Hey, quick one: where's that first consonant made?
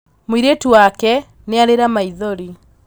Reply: lips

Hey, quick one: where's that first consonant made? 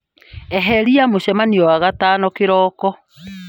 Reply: throat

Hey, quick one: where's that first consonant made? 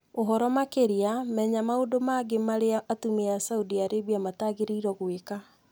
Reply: throat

